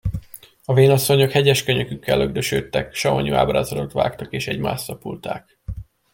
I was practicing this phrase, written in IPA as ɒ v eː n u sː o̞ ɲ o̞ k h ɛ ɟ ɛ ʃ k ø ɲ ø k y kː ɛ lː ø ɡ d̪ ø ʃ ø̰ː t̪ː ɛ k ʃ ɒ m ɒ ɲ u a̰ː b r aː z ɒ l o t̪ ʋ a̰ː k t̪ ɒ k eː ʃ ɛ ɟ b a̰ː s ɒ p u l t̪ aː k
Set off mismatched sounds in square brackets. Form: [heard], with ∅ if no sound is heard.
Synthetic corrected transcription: ɒ v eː n [ɒ] sː o̞ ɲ o̞ k h ɛ ɟ ɛ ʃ k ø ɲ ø k y kː ɛ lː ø ɡ d̪ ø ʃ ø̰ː t̪ː ɛ k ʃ ɒ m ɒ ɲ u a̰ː b r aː z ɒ l o t̪ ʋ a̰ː k t̪ ɒ k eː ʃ ɛ ɟ [m] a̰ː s ɒ p u l t̪ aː k